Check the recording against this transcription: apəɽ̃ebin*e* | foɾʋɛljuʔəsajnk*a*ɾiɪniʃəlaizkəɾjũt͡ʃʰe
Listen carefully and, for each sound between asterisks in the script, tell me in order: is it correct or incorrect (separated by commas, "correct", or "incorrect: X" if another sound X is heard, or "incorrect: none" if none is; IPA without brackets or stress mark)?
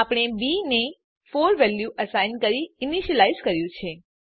correct, incorrect: ə